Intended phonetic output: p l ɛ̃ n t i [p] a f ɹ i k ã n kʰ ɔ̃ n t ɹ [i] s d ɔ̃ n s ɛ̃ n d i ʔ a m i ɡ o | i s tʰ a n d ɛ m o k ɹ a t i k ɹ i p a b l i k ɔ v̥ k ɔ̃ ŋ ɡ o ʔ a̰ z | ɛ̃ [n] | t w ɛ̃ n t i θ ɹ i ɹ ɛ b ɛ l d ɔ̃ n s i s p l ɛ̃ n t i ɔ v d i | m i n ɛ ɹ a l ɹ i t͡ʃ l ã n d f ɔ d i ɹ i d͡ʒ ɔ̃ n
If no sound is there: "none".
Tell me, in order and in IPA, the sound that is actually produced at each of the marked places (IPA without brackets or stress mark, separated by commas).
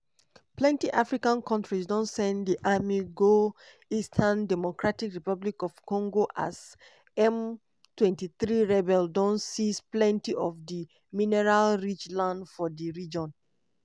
ʔ, i, m